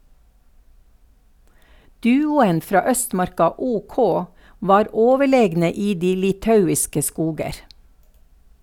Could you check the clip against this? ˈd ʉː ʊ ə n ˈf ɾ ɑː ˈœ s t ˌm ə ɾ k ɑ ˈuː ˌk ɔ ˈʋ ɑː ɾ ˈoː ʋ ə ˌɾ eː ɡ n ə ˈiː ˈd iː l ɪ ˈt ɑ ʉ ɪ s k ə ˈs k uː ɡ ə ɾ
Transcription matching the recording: ˈd ʉː ʊ ə n ˈf ɾ ɑː ˈœ s t ˌm ɑ ɾ k ɑ ˈuː ˌk ɔ ˈʋ ɑː ɾ ˈoː ʋ ə ˌɭ eː ɡ n ə ˈiː ˈd iː l ɪ ˈt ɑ ʉ ɪ s k ə ˈs k uː ɡ ə ɾ